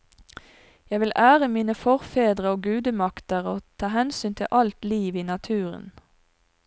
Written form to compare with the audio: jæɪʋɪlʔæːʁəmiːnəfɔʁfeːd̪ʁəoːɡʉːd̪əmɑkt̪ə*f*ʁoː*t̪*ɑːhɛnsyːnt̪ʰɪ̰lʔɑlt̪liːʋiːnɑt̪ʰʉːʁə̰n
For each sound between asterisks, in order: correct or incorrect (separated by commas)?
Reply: incorrect, incorrect